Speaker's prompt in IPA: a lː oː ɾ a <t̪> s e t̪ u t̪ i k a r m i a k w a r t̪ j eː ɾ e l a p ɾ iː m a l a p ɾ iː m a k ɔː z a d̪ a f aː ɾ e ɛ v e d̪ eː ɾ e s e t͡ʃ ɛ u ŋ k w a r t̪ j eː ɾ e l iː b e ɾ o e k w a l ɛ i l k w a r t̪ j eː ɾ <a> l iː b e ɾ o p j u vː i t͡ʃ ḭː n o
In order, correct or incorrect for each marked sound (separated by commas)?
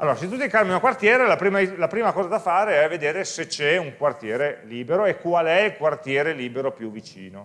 incorrect, incorrect